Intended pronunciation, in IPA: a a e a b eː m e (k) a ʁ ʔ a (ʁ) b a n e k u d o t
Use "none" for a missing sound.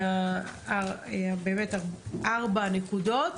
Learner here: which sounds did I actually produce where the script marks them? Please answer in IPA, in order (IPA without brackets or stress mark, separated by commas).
t, ʁ